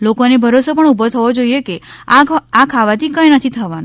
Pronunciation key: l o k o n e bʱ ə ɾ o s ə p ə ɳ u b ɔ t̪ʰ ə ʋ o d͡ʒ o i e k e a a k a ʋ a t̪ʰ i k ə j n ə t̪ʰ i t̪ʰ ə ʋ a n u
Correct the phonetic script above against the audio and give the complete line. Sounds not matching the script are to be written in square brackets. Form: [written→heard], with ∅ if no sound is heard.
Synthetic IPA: l o k o n e bʱ ə ɾ o s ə p ə ɳ u b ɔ t̪ʰ ə ʋ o d͡ʒ o i e k e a a [k→kʰ] a ʋ a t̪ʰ i k ə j n ə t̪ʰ i t̪ʰ ə ʋ a n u